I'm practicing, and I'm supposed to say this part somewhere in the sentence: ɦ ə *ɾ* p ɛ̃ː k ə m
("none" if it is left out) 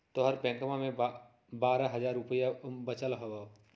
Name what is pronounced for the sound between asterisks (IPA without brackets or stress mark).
ɾ